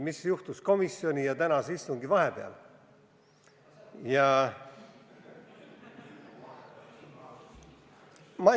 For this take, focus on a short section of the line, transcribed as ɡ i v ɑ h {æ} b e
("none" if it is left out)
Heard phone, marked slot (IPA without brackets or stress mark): e